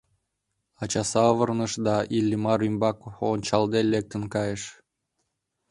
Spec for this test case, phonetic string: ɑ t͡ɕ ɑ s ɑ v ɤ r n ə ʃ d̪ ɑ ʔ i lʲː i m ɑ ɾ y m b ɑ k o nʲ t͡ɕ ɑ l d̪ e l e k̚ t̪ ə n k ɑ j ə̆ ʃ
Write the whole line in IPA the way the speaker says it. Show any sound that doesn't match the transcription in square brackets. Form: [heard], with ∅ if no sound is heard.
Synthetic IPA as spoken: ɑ t͡ɕ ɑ s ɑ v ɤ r n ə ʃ d̪ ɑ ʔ i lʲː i m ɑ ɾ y m b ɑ k o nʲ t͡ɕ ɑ l d̪ e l e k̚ t̪ ə n k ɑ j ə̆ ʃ